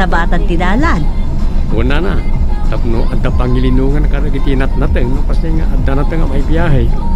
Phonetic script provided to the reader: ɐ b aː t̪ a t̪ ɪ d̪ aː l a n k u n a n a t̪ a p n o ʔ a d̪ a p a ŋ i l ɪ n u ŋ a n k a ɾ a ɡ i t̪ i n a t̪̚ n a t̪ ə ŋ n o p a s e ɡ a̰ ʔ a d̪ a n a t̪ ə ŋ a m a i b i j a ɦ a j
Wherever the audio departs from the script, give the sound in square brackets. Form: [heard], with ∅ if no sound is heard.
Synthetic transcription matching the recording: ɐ b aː t̪ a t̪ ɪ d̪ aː l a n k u n a n a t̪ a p n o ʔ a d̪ a p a ŋ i l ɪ n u ŋ a n k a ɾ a ɡ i t̪ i n a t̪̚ n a t̪ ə ŋ n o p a s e [ŋ] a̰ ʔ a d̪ a n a t̪ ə ŋ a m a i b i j a ɦ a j